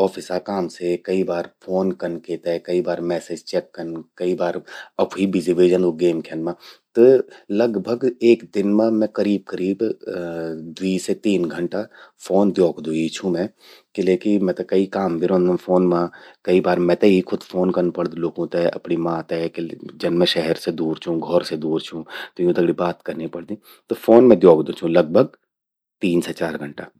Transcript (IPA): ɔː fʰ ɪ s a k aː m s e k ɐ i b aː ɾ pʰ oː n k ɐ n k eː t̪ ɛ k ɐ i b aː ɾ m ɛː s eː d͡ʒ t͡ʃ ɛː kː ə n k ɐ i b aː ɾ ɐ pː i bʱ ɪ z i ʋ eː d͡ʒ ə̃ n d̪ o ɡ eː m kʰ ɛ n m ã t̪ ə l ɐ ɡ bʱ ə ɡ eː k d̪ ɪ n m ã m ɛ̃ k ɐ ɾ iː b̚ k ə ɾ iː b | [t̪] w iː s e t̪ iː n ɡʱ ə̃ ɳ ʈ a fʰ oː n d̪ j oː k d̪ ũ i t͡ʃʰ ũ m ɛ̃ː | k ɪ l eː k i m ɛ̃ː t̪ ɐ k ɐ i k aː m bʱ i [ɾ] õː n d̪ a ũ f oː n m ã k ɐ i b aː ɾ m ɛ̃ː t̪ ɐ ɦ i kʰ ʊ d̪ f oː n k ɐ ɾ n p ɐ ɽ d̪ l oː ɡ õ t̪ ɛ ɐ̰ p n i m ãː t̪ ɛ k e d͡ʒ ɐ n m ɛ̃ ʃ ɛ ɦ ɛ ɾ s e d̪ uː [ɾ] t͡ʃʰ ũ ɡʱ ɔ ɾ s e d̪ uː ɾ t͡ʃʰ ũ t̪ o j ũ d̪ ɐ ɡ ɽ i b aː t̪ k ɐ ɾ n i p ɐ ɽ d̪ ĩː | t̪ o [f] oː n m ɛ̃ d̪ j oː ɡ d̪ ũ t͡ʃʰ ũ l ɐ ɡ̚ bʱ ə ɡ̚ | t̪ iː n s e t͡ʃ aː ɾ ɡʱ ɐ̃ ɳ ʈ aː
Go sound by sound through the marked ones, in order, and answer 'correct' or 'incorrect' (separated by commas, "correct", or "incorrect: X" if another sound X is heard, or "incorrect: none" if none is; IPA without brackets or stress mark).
incorrect: d̪, correct, correct, correct